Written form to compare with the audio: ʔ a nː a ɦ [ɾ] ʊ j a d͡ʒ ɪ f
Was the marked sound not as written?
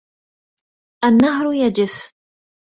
no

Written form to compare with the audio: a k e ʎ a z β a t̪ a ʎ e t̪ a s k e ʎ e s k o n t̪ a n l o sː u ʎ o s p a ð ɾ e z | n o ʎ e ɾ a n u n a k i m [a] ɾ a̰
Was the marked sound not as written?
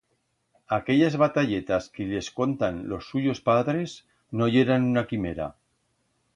yes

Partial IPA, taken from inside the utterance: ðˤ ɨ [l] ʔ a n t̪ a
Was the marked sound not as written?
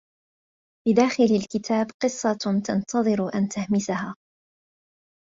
yes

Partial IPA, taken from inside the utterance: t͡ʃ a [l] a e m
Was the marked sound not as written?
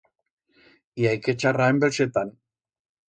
yes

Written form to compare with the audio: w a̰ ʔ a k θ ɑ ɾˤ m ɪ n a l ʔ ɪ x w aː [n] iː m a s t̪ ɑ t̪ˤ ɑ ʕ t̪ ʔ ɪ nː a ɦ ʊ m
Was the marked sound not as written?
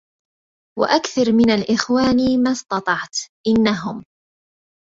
no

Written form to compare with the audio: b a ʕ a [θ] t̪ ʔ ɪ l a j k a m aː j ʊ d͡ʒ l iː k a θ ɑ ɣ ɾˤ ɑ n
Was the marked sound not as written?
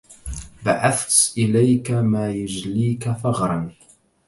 no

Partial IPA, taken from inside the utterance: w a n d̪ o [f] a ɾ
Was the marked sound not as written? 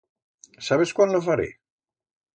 no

